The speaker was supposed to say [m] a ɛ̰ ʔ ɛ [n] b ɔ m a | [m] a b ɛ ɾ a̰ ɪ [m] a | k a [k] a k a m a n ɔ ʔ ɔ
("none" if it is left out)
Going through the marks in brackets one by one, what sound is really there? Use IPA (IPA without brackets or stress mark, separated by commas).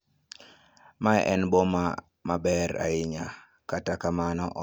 m, n, m, ɲ, t